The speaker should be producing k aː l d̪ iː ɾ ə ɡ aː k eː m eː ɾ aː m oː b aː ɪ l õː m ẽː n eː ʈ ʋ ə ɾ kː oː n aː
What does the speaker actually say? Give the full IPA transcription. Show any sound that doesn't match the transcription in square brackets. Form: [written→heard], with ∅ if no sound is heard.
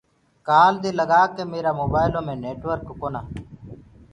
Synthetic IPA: k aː l d̪ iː [ɾ→l] ə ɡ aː k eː m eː ɾ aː m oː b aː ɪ l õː m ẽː n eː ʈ ʋ ə ɾ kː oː n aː